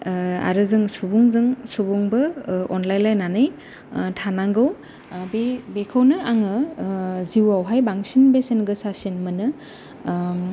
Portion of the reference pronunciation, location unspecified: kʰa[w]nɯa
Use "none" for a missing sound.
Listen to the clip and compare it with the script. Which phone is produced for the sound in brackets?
w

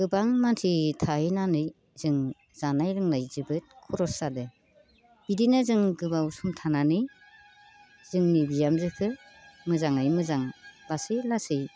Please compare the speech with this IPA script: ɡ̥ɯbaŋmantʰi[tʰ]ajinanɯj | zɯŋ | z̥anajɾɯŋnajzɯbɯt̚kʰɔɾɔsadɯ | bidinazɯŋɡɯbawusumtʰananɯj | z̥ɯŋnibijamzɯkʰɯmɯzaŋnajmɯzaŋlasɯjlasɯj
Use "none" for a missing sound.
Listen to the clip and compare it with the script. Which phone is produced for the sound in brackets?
tʰ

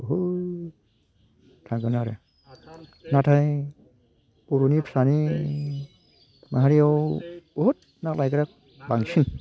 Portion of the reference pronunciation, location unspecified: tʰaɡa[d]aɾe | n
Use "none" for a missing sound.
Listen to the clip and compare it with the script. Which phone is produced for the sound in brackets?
n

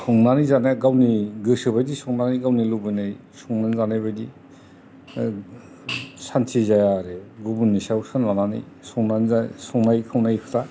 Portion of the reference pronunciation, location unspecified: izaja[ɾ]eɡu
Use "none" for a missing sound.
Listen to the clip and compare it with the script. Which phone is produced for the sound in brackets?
ɾ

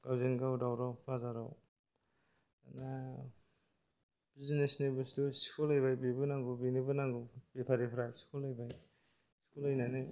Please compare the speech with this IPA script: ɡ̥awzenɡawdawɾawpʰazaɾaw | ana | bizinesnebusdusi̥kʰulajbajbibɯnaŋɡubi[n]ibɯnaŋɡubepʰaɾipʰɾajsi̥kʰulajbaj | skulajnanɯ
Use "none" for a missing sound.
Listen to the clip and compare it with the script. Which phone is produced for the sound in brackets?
n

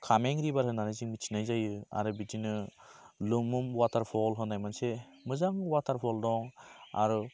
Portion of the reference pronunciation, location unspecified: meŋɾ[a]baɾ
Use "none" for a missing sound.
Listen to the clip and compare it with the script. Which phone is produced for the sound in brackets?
i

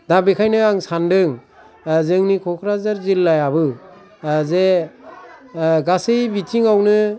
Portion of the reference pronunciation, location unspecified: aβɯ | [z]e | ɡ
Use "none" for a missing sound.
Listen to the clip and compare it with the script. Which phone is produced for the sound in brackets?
z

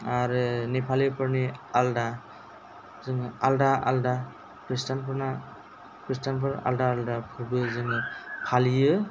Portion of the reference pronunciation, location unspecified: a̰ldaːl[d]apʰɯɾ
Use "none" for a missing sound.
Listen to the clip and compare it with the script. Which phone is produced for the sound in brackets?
d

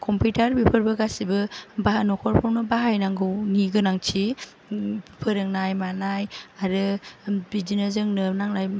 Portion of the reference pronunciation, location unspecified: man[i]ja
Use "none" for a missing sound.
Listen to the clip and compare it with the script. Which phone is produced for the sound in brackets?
a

